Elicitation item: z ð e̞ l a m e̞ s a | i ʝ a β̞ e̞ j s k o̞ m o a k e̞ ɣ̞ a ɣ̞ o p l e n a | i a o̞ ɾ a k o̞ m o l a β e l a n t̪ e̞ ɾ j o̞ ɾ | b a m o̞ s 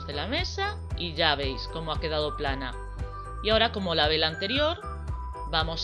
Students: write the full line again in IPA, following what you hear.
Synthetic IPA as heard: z ð e̞ l a m e̞ s a | i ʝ a β̞ e̞ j s k o̞ m o a k e̞ ð̞ a ð̞ o p l a n a | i a o̞ ɾ a k o̞ m o l a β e l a n t̪ e̞ ɾ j o̞ ɾ | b a m o̞ s